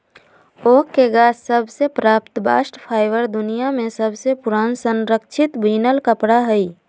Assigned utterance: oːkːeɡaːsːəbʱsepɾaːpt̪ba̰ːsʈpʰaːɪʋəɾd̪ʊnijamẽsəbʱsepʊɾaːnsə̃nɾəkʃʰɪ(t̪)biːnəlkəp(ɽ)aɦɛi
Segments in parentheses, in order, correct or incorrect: correct, correct

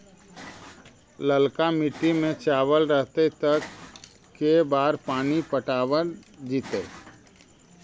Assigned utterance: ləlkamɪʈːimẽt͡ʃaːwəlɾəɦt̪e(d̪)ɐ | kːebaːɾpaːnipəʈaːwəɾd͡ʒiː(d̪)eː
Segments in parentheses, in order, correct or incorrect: incorrect, incorrect

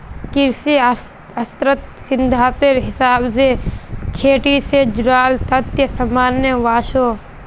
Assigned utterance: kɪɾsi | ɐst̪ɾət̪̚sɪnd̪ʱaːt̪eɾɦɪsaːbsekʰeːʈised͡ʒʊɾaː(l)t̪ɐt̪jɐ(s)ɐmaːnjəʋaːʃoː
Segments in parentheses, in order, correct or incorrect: correct, correct

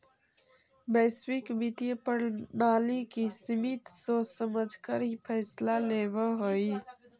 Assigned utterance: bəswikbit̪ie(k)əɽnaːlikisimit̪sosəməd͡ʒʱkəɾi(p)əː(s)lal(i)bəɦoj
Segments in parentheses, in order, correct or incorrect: incorrect, incorrect, correct, incorrect

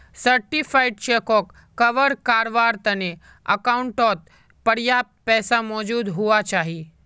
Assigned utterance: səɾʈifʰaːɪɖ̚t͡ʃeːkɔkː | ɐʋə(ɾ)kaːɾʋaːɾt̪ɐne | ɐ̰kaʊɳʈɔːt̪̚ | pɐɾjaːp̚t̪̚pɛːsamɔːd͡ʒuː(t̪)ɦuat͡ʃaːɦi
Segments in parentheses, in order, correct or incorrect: correct, incorrect

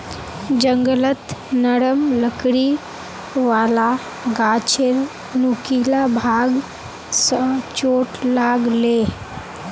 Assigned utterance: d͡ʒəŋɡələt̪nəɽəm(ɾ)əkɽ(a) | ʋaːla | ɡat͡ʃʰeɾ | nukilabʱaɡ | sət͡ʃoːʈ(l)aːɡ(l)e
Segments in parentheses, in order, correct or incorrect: incorrect, incorrect, correct, correct

